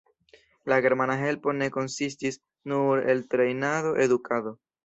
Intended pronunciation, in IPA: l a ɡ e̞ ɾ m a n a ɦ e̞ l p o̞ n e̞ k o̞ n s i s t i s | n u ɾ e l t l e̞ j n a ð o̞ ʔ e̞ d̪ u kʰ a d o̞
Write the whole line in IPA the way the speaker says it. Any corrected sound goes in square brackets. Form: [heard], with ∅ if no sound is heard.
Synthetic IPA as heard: l a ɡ e̞ ɾ m a n a ɦ e̞ l p o̞ n e̞ k o̞ n s i s t i s | n u ɾ e l t [ɾ] e̞ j n a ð o̞ ʔ e̞ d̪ u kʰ a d o̞